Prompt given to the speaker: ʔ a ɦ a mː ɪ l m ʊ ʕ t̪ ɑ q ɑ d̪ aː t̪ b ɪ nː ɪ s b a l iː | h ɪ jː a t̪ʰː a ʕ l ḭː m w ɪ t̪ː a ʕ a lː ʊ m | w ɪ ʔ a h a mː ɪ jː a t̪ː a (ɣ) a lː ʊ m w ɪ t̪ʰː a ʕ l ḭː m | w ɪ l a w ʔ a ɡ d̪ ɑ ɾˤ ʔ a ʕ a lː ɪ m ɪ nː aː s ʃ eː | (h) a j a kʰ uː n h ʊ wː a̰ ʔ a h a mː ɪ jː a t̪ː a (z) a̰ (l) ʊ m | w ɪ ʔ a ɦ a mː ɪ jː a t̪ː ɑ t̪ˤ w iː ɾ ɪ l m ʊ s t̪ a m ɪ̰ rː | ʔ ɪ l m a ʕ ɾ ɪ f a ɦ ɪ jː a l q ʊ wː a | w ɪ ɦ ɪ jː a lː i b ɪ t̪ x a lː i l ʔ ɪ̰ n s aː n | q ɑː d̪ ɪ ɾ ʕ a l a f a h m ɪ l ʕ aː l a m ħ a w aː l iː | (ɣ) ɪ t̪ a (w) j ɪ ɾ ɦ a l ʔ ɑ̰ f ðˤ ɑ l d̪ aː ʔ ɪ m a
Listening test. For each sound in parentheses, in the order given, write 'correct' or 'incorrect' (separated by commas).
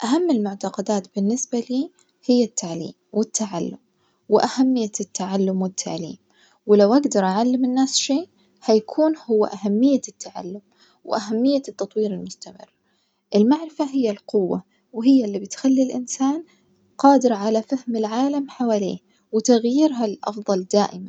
incorrect, correct, incorrect, incorrect, incorrect, incorrect